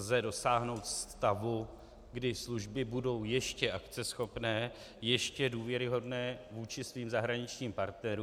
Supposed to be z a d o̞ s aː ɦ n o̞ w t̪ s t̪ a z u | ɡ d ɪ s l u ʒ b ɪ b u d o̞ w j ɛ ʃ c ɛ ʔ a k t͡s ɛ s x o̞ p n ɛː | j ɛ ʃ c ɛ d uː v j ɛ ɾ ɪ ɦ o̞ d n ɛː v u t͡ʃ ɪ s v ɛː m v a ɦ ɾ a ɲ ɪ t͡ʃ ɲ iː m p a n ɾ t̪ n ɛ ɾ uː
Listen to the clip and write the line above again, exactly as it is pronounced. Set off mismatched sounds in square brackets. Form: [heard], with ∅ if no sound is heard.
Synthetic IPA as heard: z [ɛ] d o̞ s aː ɦ n o̞ w t̪ s t̪ a [v] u | ɡ d ɪ s l u ʒ b ɪ b u d o̞ w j ɛ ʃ c ɛ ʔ a k t͡s ɛ s x o̞ p n ɛː | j ɛ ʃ c ɛ d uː v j ɛ ɾ ɪ ɦ o̞ d n ɛː v [uː] t͡ʃ ɪ s v [iː] m [z] a ɦ ɾ a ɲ ɪ t͡ʃ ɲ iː m p a [∅] ɾ t̪ n ɛ ɾ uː